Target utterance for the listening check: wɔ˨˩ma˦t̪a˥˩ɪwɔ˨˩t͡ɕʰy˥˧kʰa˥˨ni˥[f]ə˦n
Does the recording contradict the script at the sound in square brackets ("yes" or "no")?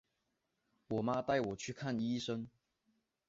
yes